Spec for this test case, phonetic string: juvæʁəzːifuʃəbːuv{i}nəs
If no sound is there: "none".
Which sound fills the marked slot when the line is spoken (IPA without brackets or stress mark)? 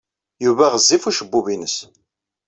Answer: i